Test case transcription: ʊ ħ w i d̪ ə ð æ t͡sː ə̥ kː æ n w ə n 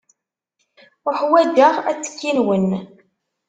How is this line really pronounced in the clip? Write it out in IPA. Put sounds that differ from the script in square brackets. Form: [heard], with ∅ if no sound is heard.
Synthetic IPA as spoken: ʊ ħ w [æ] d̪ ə [ʁ] æ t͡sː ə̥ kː [i] n w ə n